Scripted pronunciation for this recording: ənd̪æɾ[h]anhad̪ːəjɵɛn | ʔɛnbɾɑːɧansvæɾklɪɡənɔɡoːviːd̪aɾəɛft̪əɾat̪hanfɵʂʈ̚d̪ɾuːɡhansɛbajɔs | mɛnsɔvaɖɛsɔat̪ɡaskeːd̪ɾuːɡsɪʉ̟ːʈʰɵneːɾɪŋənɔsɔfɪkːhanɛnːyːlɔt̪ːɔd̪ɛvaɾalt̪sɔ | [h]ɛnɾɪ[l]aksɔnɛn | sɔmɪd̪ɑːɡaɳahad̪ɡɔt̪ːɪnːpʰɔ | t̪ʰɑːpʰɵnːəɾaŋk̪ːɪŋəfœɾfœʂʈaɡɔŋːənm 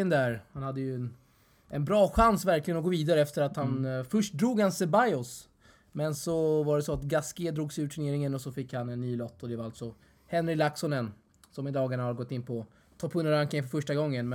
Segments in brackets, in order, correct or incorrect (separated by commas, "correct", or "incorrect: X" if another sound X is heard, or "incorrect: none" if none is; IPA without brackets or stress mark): correct, correct, correct